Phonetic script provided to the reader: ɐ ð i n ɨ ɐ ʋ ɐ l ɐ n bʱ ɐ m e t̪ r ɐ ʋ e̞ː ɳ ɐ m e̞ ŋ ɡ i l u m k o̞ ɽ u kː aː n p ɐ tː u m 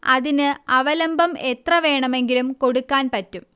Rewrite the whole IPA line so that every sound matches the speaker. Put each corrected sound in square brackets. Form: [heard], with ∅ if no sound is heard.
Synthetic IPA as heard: ɐ ð i n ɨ ɐ ʋ ɐ l ɐ [m] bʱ ɐ m e t̪ r ɐ ʋ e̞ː ɳ ɐ m e̞ ŋ ɡ i l u m k o̞ ɽ u kː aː n p ɐ tː u m